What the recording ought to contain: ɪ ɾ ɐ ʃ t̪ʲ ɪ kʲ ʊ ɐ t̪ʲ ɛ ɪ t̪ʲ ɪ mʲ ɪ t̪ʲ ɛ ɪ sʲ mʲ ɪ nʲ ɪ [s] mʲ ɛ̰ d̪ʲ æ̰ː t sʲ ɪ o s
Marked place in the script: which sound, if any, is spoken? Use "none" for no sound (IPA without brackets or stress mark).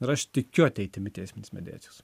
s